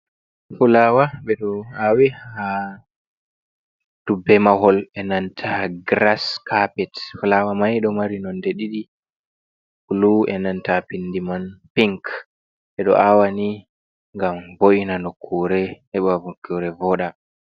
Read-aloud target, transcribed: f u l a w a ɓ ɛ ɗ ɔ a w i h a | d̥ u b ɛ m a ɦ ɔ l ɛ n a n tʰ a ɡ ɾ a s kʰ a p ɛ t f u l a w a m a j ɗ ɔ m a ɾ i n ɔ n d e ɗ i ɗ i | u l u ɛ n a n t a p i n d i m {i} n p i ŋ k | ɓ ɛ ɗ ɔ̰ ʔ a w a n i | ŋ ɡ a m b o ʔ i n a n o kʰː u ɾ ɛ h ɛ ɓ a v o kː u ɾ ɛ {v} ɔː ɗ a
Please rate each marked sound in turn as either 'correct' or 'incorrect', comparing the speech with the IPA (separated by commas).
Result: incorrect, correct